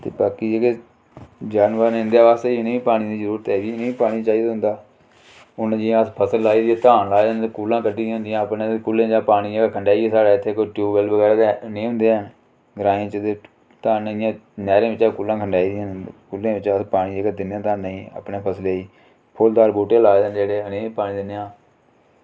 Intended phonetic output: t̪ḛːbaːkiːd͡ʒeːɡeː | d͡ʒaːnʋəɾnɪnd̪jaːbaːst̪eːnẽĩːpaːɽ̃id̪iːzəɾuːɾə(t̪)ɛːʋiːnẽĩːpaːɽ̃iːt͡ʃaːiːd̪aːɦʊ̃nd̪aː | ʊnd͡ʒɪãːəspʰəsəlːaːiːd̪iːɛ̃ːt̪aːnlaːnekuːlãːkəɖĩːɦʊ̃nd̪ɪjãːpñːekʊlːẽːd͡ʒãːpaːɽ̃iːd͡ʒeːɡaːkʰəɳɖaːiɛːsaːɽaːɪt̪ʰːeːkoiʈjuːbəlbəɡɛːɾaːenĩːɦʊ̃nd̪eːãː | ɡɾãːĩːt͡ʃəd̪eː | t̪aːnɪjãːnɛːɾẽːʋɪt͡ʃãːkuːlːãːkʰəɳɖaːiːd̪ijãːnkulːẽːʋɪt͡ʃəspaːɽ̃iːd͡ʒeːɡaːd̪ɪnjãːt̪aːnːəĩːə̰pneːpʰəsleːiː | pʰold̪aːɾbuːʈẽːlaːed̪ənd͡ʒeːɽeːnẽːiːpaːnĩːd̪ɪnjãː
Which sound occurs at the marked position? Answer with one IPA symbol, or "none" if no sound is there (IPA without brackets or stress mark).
t̪